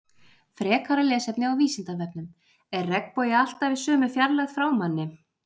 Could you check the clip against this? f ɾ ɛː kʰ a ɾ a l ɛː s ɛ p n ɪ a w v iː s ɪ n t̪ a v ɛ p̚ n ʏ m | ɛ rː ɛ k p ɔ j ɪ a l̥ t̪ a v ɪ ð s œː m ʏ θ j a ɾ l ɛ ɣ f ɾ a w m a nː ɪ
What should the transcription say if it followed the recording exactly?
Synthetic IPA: f ɾ ɛː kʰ a ɾ a l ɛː s ɛ p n ɪ a w v iː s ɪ n t̪ a v ɛ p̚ n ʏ m | ɛ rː ɛ k p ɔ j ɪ a l̥ t̪ a v ɪ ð s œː m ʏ f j a ɾ l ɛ ɣ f ɾ a w m a nː ɪ

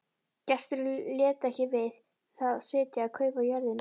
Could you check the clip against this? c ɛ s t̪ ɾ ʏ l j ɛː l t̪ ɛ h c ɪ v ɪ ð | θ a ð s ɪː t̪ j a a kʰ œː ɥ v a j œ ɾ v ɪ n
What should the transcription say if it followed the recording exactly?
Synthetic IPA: c ɛ s t̪ ɾ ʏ l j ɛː t̪ ɛ h c ɪ v ɪ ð | θ a ð s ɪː t̪ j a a kʰ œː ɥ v a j œ ɾ ð ɪ n

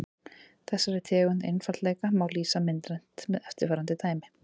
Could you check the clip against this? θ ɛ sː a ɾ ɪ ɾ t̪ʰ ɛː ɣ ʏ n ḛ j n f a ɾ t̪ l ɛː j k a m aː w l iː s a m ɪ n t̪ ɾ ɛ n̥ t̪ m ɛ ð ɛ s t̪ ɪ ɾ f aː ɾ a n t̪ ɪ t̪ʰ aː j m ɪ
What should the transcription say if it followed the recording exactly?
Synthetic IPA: θ ɛ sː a ɾ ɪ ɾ t̪ʰ ɛː ɣ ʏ n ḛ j n f a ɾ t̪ l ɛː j k a m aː w l iː s a m ɪ n t̪ ɾ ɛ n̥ t̪ m ɛ ð ɛ f t̪ ɪ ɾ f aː ɾ a n t̪ ɪ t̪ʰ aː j m ɪ

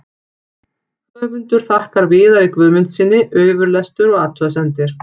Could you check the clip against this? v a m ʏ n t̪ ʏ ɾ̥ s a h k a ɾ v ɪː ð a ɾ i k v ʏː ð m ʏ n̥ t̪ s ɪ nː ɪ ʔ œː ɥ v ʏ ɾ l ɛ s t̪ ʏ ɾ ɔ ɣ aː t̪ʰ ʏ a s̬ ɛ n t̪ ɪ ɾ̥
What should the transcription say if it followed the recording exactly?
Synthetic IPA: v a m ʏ n t̪ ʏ ɾ̥ θ a h k a ɾ v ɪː ð a ɾ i k v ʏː ð m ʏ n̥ t̪ s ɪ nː ɪ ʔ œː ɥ v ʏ ɾ l ɛ s t̪ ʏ ɾ ɔ ɣ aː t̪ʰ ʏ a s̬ ɛ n t̪ ɪ ɾ̥

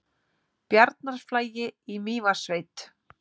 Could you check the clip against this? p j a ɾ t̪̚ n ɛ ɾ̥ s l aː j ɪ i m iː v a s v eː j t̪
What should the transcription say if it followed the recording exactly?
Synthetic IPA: p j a ɾ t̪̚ n a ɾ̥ f l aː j ɪ i m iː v a s v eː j t̪

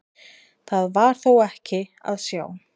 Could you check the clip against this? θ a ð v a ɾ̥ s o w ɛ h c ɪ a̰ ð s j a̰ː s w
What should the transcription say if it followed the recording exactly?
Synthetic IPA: θ a ð v a ɾ̥ θ o w ɛ h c ɪ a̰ ð s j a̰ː w

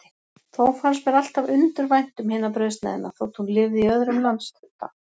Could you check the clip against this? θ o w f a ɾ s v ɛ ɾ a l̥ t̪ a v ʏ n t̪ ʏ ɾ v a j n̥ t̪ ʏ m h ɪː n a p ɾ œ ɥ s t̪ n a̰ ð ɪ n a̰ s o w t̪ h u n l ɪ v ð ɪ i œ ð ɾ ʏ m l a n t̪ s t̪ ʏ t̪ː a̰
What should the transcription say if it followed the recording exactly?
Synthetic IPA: θ o w f a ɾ s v ɛ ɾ a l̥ t̪ a v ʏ n t̪ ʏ ɾ v a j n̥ t̪ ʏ m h ɪː n a p ɾ œ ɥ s t̪ n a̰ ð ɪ n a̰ θ o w t̪ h u n l ɪ v ð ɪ i œ ð ɾ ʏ m l a n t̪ s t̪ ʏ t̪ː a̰

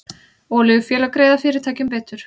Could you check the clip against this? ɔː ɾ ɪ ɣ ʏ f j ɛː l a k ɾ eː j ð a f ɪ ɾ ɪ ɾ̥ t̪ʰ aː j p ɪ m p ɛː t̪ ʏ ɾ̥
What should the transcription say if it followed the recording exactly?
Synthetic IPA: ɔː l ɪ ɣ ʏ f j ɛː l a k ɾ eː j ð a f ɪ ɾ ɪ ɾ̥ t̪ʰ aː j c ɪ m p ɛː t̪ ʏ ɾ̥

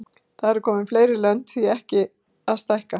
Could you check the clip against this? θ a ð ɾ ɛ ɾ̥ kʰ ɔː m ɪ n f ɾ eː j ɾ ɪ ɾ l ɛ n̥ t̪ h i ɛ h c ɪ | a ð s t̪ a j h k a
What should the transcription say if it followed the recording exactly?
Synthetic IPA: θ a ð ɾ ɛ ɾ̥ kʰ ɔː m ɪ n f l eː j ɾ ɪ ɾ l œ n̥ t̪ θ i ɛ h c ɪ | a ð s t̪ a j h k a

